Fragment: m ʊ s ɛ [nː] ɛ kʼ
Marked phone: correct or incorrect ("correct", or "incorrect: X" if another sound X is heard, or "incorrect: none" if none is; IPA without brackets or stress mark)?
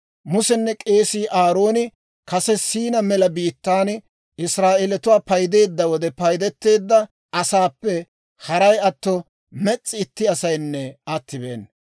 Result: correct